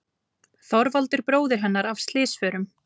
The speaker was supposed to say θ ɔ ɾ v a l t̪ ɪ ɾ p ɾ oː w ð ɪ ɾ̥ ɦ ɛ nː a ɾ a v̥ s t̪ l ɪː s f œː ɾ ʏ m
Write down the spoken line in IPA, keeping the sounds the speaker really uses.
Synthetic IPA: θ ɔ ɾ v a l t̪ ɪ ɾ p ɾ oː w ð ɪ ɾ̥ ɦ ɛ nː a ɾ a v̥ s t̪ l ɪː s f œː ɾ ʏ m